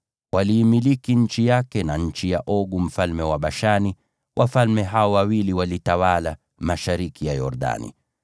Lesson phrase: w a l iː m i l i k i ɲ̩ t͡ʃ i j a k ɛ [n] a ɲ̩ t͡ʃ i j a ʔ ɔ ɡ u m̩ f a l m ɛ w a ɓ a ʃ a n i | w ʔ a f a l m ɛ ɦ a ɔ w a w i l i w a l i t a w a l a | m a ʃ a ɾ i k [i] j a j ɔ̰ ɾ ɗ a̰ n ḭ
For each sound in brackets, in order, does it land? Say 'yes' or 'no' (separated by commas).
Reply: yes, yes